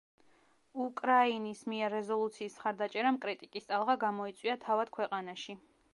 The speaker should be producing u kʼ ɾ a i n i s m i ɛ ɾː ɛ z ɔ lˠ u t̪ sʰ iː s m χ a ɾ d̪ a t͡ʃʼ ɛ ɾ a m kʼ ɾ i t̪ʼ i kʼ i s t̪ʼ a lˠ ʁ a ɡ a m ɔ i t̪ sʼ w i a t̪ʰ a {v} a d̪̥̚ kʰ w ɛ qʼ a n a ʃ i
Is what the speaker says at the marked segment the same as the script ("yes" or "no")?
yes